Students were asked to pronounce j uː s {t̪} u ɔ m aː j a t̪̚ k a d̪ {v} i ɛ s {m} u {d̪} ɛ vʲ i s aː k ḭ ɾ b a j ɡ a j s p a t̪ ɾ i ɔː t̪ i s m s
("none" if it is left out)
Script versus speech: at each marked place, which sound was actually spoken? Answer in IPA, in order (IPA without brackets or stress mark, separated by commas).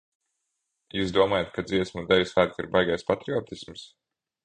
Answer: d̪, z, m, d̪